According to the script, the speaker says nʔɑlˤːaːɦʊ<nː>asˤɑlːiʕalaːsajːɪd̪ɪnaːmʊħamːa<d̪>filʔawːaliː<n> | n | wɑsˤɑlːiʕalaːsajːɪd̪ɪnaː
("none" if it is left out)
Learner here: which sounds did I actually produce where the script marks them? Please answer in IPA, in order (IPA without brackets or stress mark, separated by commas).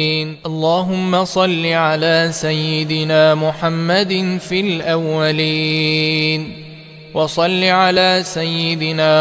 mː, d̪, none